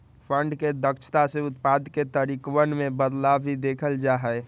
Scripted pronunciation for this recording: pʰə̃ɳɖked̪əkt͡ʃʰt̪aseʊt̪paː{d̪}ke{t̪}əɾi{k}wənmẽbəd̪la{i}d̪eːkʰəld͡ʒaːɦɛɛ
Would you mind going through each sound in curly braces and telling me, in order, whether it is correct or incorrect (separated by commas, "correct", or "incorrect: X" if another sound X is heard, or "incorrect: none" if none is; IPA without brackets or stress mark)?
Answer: correct, correct, correct, correct